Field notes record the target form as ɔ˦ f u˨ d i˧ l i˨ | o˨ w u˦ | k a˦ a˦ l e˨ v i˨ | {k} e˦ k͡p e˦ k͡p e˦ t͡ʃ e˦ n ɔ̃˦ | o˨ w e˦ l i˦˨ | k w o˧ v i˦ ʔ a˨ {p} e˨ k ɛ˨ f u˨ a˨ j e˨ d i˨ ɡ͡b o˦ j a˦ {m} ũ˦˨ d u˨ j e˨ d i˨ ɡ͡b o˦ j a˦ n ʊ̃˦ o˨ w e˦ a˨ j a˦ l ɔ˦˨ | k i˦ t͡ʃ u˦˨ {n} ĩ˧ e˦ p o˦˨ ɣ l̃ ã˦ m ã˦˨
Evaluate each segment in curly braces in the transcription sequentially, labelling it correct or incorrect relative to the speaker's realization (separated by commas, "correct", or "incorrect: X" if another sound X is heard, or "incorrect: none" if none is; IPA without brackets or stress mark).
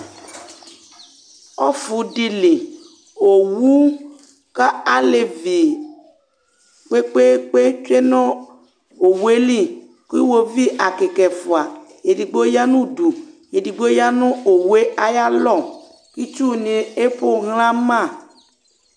incorrect: k͡p, incorrect: k, incorrect: n, correct